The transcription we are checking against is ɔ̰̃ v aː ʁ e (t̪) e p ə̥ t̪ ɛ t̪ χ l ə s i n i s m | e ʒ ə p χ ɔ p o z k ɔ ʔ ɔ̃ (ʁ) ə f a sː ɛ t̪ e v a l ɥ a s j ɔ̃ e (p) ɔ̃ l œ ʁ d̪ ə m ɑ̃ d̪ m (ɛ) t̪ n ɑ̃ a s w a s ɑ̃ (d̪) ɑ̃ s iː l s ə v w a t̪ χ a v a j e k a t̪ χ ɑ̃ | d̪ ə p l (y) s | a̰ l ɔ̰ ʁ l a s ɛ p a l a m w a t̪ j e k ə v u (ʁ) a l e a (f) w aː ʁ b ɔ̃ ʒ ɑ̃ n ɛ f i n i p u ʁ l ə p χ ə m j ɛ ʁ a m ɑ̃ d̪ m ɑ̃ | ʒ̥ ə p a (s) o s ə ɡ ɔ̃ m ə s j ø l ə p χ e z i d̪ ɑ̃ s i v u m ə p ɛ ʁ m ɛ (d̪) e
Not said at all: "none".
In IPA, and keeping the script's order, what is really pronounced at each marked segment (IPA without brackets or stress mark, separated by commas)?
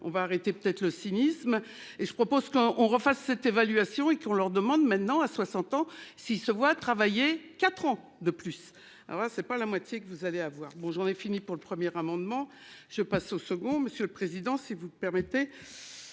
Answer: t̪, ʁ, k, ɛ̃, t̪, y, z, v, s, t̪